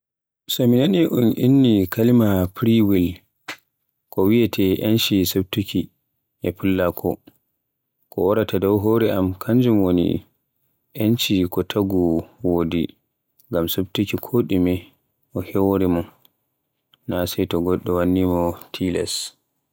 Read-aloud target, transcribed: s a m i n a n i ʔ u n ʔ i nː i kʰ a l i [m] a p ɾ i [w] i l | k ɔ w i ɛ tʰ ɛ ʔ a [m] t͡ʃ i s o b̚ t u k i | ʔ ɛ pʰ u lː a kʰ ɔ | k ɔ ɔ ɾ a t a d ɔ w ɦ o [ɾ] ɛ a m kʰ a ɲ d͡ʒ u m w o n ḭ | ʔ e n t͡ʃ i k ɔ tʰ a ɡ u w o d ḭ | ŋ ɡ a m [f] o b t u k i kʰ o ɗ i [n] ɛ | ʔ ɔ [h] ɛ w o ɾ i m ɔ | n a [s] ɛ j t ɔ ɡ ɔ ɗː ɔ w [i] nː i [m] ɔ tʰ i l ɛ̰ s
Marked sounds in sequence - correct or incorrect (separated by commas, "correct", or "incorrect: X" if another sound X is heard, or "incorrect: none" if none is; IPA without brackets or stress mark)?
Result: correct, correct, incorrect: n, correct, incorrect: s, incorrect: m, correct, correct, incorrect: a, correct